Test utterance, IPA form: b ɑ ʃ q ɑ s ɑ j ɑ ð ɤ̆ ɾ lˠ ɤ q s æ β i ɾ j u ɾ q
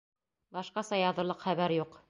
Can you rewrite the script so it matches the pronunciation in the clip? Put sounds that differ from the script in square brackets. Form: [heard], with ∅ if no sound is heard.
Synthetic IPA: b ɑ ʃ q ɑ s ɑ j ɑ ð ɤ̆ ɾ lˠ ɤ q [χ] æ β [æ] ɾ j u [∅] q